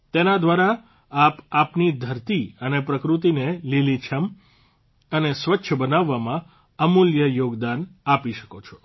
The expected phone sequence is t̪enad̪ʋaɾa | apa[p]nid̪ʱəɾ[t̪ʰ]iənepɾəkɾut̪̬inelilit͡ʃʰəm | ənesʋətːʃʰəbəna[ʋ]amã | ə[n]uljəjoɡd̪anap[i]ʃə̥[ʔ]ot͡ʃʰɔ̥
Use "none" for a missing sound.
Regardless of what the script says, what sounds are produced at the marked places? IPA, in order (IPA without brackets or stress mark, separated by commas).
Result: p, t̪, ʋː, m, i, k